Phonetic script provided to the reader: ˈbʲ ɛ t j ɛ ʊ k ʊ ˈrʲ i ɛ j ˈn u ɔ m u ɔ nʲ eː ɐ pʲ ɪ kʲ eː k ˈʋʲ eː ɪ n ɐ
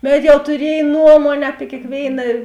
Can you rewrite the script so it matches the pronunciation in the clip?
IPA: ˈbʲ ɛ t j ɛ ʊ t ʊ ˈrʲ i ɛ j ˈn u ɔ m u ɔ nʲ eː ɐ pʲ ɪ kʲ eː k ˈʋʲ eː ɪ n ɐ